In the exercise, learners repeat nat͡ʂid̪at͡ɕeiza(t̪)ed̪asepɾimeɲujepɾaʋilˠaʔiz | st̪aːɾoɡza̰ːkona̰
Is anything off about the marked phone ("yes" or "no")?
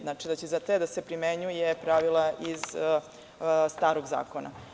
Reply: no